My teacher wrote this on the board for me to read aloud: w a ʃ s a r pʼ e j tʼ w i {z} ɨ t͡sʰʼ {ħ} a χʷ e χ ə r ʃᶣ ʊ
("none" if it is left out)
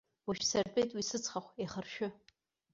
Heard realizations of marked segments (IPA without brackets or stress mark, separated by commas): s, χ